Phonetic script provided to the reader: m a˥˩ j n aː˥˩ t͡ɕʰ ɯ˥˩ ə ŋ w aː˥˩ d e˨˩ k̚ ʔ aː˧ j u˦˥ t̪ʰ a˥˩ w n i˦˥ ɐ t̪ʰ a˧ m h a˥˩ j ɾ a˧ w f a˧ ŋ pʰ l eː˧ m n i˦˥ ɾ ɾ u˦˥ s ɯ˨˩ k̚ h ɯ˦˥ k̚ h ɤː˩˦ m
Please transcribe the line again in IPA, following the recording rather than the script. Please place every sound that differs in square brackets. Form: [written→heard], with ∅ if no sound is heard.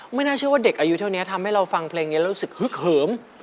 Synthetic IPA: m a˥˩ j n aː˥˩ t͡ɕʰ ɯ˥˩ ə [ŋ→∅] w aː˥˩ d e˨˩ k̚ ʔ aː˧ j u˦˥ t̪ʰ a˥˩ w n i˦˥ ɐ t̪ʰ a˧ m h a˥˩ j ɾ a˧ w f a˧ ŋ pʰ l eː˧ [m→ŋ] n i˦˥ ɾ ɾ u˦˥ s ɯ˨˩ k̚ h ɯ˦˥ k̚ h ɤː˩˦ m